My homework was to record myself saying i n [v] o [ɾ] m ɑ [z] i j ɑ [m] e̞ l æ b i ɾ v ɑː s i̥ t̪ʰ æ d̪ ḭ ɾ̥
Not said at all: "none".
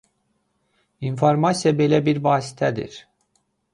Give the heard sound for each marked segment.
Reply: f, ɾ, s, b

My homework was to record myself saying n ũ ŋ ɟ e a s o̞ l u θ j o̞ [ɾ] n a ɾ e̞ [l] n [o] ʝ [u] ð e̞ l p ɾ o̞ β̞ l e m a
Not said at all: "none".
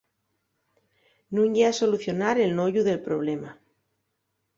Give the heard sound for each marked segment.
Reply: none, l, o, u

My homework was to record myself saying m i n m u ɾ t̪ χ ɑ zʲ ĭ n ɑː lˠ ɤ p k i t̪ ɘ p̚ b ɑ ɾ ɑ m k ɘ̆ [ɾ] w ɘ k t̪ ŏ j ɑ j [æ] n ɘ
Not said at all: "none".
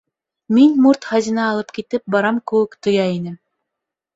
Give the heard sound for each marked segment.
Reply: none, i

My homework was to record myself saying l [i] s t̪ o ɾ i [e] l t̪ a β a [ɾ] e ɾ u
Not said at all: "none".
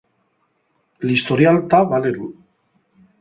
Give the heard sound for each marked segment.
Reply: i, a, l

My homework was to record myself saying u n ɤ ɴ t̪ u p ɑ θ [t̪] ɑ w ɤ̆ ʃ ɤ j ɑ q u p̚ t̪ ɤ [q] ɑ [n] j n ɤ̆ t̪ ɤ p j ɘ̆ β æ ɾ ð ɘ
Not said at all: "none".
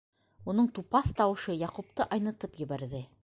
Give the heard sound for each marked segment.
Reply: t̪, ʔ, none

